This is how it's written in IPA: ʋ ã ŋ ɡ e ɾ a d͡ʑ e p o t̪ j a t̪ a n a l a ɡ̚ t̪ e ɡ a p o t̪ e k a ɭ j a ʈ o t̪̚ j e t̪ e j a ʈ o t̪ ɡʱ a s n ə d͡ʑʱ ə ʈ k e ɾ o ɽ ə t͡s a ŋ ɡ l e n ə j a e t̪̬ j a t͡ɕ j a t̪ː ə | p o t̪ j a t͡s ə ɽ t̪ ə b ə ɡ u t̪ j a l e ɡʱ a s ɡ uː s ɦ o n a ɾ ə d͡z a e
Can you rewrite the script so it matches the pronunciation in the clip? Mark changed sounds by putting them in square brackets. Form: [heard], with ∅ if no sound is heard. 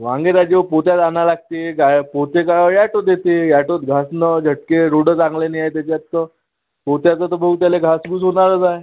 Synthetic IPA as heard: ʋ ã ŋ ɡ e ɾ a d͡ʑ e p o t̪ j a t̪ a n a l a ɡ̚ t̪ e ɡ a p o t̪ e k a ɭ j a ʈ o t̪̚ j e t̪ e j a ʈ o t̪ ɡʱ a s n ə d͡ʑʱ ə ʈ k e ɾ o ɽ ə t͡s a ŋ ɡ l e n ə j a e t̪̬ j a t͡ɕ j a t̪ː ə | p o t̪ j a t͡s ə [∅] t̪ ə b ə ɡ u t̪ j a l e ɡʱ a s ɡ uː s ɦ o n a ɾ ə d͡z a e